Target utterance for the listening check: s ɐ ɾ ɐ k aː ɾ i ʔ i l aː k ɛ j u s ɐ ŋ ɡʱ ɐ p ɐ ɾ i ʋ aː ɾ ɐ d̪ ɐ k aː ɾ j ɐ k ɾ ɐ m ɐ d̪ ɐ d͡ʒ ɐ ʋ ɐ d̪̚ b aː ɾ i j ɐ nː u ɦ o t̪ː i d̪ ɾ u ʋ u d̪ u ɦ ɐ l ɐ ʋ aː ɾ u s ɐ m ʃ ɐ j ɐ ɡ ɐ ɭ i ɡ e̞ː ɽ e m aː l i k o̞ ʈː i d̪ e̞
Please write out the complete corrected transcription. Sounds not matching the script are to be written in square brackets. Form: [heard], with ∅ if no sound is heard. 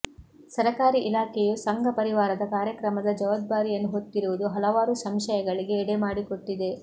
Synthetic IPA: s ɐ ɾ ɐ k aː ɾ i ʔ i l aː k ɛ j u s ɐ ŋ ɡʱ ɐ p ɐ ɾ i ʋ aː ɾ ɐ d̪ ɐ k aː ɾ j ɐ k ɾ ɐ m ɐ d̪ ɐ d͡ʒ ɐ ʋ ɐ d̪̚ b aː ɾ i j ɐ nː u ɦ o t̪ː i [∅] ɾ u ʋ u d̪ u ɦ ɐ l ɐ ʋ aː ɾ u s ɐ m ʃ ɐ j ɐ ɡ ɐ ɭ i ɡ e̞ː ɽ e m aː [ɽ] i k o̞ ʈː i d̪ e̞